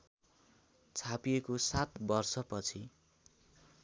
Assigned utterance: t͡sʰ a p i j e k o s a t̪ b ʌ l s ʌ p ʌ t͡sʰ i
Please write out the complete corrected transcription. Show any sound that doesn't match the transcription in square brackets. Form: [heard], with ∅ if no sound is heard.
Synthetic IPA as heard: t͡sʰ a p i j e k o s a t̪ b ʌ [r] s ʌ p ʌ t͡sʰ i